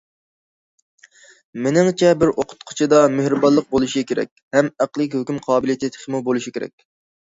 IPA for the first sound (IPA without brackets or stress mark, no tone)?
m